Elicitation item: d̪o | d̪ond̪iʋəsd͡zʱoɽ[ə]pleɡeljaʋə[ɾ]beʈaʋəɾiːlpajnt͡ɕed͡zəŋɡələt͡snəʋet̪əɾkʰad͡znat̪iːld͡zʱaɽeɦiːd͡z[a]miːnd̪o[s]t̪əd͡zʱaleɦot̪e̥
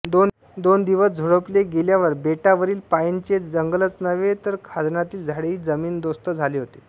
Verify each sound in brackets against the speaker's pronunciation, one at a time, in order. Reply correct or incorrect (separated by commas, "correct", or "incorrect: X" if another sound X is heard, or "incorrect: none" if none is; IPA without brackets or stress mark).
correct, correct, incorrect: ə, correct